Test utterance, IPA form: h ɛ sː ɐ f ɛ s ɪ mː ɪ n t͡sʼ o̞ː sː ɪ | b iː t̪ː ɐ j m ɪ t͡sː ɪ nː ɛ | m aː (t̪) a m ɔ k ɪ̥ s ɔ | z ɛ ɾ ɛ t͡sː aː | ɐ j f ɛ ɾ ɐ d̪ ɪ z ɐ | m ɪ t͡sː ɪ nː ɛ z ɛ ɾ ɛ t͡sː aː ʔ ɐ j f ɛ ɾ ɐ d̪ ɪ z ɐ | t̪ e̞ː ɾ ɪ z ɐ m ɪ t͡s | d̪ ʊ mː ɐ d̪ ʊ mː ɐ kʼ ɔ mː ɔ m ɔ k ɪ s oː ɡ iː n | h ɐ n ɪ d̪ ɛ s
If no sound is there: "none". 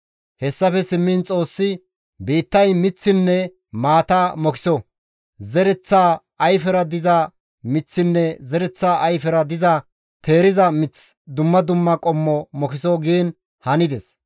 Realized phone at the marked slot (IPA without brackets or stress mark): t̪